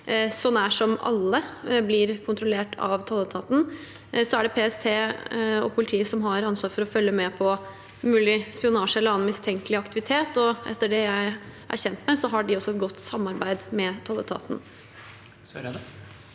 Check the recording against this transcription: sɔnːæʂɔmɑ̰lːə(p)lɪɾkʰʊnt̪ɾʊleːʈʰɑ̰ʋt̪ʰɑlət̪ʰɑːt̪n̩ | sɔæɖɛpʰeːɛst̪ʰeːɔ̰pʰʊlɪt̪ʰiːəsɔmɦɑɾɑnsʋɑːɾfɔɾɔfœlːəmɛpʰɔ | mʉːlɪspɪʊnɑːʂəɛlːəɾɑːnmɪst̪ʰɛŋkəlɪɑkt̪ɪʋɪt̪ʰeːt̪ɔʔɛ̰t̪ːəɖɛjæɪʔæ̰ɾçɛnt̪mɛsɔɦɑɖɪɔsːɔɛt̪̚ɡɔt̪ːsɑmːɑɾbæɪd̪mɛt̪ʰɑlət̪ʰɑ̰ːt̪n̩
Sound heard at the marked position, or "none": b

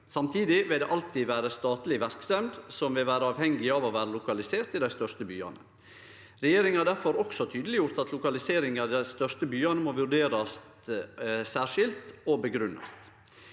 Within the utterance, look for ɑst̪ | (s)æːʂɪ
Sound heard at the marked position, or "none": s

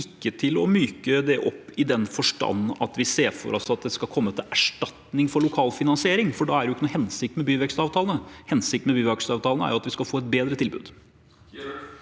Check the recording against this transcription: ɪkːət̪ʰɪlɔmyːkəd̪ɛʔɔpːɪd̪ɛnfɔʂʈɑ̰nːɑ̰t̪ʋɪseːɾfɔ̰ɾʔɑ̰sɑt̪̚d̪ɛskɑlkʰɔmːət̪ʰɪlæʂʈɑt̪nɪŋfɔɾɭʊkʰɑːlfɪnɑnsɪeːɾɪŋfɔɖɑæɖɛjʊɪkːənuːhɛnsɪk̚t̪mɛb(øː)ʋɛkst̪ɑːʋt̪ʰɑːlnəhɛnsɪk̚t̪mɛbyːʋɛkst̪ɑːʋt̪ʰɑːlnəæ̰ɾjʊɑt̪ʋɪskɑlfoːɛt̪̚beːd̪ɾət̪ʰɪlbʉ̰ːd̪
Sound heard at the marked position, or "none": yː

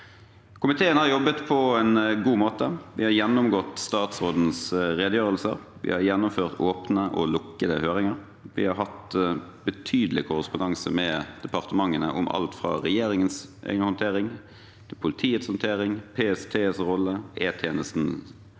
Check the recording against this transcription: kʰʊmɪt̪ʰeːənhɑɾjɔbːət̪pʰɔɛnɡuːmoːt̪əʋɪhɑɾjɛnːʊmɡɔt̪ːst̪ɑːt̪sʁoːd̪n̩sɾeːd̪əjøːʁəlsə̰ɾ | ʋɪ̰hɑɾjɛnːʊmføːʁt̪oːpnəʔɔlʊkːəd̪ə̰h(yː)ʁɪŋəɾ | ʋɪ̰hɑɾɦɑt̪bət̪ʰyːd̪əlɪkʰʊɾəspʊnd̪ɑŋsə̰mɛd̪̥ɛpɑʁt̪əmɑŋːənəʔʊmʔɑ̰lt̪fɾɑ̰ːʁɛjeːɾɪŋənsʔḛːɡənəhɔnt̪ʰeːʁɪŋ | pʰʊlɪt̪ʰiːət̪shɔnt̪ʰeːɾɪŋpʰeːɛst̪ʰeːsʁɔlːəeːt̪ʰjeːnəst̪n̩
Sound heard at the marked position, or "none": øː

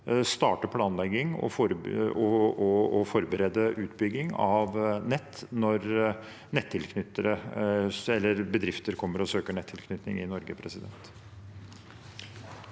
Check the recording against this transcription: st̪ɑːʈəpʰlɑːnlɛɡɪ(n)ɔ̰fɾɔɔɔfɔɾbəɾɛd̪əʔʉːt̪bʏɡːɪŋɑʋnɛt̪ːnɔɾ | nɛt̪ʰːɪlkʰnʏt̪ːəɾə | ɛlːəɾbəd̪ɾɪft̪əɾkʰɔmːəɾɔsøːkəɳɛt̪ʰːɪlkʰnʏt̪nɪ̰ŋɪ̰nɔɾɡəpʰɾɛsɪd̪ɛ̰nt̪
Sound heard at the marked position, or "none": ŋ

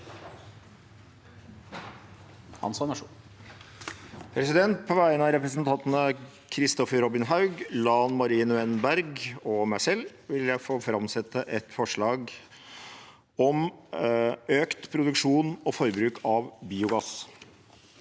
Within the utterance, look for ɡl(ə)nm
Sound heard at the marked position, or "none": ɑ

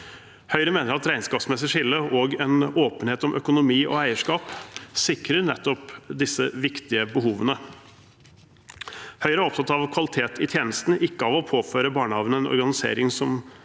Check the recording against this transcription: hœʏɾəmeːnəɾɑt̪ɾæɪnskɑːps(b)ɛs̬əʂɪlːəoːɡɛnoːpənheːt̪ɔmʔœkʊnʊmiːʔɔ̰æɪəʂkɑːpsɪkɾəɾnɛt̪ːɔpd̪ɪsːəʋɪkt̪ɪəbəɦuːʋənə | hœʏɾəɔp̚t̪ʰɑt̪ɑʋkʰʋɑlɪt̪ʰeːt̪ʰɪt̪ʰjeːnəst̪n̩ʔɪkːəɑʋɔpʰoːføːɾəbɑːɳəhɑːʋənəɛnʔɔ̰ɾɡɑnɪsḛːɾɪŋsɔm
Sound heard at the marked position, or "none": m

